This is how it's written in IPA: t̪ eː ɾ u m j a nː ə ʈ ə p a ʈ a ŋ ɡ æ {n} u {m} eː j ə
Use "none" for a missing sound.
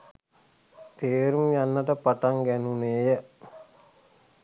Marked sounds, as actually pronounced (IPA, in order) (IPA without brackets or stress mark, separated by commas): n, n